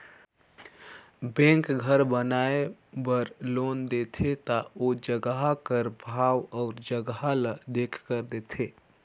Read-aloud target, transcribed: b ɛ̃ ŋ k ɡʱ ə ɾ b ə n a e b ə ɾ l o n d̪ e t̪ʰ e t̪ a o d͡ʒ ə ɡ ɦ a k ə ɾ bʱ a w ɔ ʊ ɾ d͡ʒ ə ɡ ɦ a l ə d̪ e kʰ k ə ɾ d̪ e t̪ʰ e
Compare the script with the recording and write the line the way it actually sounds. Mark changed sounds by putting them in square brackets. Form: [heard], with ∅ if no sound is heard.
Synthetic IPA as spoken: b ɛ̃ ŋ k ɡʱ ə ɾ b ə n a e b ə ɾ l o n d̪ e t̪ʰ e t̪ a o d͡ʒ ə ɡ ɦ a k ə ɾ bʱ a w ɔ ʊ ɾ d͡ʒ ə ɡ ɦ a l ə d̪ e kʰ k ə ɾ d̪ e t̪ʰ e